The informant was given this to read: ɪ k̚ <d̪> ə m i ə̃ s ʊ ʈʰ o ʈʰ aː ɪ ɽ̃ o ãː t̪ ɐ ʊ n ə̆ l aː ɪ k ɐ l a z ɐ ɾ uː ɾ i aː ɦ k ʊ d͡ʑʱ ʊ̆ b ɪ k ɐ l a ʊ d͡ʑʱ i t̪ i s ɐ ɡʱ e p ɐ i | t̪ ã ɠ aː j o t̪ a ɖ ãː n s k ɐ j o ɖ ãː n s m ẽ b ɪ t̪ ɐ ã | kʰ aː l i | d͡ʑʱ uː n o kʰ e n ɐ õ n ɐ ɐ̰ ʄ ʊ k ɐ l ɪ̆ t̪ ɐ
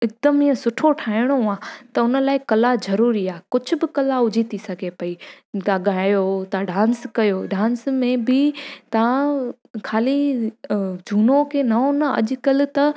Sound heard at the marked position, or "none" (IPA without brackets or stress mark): d̪